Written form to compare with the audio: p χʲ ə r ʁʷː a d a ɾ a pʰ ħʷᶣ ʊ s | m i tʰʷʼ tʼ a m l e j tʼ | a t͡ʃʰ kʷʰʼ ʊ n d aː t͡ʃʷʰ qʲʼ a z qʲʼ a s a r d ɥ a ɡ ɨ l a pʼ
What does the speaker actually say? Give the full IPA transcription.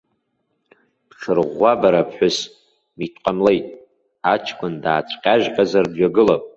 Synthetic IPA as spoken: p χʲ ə r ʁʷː a b a ɾ a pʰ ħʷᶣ ʊ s | m i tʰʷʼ qʼ a m l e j tʼ | a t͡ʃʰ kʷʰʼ ʊ n d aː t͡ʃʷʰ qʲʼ a ʒ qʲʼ a z a r d ɥ a ɡ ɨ l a pʼ